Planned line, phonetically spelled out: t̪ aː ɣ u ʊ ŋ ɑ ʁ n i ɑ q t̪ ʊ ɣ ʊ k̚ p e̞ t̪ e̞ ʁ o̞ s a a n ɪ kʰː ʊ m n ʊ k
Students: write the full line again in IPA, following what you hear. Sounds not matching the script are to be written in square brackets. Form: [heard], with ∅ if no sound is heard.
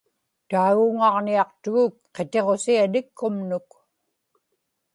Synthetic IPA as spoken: t̪ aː ɣ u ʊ ŋ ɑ ʁ n i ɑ q t̪ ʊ ɣ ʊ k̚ [q] e̞ t̪ e̞ ʁ o̞ s [i] a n ɪ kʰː ʊ m n ʊ k